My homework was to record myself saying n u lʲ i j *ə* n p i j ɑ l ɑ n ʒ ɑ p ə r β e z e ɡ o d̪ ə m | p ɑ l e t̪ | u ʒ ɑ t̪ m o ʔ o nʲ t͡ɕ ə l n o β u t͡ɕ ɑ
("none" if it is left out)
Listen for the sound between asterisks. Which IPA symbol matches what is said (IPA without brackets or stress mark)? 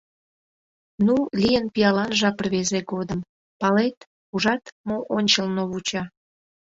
ə